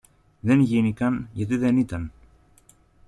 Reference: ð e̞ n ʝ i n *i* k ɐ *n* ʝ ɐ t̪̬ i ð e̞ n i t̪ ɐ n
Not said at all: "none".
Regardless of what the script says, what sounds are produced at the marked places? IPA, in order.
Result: i, n

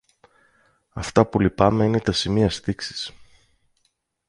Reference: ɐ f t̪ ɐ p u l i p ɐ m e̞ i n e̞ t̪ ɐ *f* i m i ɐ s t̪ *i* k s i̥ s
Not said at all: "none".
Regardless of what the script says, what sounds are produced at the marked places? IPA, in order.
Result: s, i

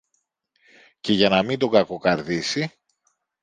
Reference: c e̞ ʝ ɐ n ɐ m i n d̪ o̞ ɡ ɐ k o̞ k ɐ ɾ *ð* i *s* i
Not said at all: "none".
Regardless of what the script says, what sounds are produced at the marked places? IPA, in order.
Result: ð, s

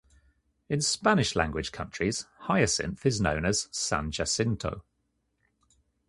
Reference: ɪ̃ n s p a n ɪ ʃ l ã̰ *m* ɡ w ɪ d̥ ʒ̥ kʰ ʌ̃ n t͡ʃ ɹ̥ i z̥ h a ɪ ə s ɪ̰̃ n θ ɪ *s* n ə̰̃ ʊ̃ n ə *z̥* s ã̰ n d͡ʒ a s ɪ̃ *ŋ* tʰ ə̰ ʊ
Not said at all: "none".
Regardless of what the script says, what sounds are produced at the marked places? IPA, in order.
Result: ŋ, z, z̥, n

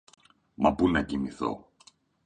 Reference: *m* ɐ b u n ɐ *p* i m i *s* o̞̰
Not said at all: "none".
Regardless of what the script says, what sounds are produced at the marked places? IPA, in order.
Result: m, c, θ

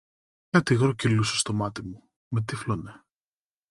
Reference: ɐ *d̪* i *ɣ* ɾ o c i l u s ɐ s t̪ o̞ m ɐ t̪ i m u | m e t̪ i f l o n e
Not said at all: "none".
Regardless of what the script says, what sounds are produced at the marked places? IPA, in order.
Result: t̪, ɣ

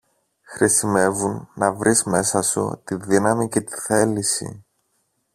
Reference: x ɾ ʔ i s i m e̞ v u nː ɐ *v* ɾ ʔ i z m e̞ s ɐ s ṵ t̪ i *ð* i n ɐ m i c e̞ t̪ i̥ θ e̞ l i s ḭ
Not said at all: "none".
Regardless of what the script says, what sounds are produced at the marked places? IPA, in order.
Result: v, ð

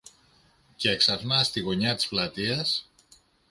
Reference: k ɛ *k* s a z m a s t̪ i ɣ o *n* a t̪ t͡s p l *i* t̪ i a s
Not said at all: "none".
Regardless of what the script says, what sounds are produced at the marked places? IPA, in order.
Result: k, ɲ, a

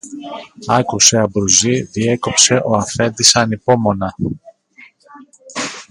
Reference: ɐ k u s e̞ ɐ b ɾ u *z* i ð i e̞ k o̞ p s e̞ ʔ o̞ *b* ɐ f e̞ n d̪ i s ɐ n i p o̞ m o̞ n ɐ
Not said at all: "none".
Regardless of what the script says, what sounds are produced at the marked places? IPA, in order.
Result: z, none

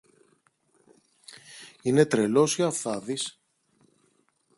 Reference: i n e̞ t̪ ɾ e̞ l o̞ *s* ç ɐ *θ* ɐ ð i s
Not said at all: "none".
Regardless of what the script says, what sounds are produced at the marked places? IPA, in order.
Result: s, θ

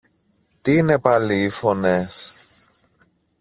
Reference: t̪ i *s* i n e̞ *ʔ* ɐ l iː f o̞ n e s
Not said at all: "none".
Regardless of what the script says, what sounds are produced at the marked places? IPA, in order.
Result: none, p

